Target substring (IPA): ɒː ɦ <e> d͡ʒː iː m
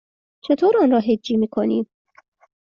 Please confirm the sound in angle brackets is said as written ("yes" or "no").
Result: yes